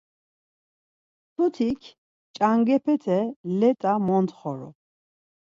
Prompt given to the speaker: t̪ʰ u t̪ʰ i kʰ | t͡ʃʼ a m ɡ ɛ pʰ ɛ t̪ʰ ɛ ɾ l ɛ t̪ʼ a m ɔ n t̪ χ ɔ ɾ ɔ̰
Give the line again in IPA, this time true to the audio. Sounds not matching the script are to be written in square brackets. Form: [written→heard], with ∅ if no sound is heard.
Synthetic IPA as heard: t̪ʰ u t̪ʰ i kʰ | t͡ʃʼ a [m→ŋ] ɡ ɛ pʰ ɛ t̪ʰ ɛ [ɾ→∅] l ɛ t̪ʼ a m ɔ n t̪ χ ɔ ɾ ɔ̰